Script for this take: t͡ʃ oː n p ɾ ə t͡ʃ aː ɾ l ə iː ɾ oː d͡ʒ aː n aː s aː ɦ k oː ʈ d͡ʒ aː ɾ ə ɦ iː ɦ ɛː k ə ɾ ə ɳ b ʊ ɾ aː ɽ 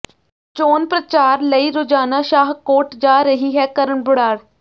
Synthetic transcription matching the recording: t͡ʃ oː n p ɾ ə t͡ʃ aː ɾ l ə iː ɾ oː d͡ʒ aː n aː ʃ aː ɦ k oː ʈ d͡ʒ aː ɾ ə ɦ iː ɦ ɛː k ə ɾ ə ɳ b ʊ ɽ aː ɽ

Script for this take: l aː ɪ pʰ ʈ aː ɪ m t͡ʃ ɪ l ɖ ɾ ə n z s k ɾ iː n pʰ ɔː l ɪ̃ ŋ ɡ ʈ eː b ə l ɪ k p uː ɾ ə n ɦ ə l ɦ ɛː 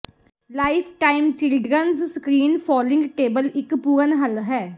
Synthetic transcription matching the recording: l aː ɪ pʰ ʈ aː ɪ m t͡ʃ ɪ l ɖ ɾ ə n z s k ɾ iː n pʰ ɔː l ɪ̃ ŋ ɡ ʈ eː b ə l ɪ k p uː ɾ ə n ɦ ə l ɦ ɛː

